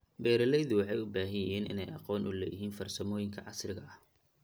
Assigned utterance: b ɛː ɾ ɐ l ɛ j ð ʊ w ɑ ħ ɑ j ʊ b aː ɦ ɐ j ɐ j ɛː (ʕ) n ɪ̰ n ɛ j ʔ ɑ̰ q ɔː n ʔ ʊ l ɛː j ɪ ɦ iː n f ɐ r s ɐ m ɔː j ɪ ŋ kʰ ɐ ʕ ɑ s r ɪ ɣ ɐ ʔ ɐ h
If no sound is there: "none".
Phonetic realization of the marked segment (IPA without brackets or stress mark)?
none